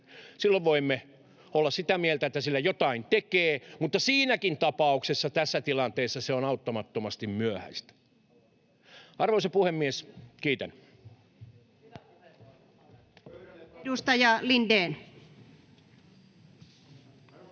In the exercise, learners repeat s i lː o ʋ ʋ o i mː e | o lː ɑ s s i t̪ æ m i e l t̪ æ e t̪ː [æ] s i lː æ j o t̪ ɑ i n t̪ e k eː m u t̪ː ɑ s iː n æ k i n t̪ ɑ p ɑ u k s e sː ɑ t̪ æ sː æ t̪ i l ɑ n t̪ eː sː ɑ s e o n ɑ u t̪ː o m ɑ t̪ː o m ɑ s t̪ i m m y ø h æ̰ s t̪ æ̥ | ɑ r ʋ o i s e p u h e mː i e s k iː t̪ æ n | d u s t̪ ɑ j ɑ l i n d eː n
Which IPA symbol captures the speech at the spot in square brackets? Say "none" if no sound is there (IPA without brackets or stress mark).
æ